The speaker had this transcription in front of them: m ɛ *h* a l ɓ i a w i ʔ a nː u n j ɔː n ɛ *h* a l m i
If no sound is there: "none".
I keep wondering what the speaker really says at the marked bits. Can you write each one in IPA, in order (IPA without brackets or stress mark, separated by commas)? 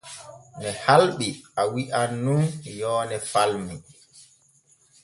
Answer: h, f